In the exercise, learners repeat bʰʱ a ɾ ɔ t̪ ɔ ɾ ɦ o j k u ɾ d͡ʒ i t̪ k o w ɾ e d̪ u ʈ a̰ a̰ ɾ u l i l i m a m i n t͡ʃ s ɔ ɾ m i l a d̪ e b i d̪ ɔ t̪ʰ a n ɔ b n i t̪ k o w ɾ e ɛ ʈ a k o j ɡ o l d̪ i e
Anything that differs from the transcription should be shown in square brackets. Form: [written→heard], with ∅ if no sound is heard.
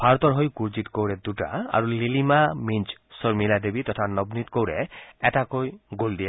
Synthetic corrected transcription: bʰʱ a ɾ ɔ t̪ ɔ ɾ ɦ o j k u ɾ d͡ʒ i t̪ k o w ɾ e d̪ u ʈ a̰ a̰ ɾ u l i l i m a m i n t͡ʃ s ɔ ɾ m i l a d̪ e b i [d̪→t̪] ɔ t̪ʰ a n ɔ b n i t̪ k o w ɾ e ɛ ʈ a k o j ɡ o l d̪ i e